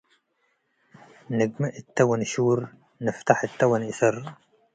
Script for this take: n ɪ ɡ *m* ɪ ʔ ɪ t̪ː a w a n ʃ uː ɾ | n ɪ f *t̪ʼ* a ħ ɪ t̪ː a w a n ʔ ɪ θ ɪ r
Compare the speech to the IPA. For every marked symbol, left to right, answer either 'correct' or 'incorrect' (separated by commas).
correct, incorrect